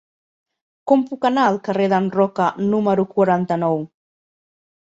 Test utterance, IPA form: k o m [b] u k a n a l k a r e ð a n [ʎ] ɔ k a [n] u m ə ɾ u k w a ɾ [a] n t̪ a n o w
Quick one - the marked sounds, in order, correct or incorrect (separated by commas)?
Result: incorrect, incorrect, correct, correct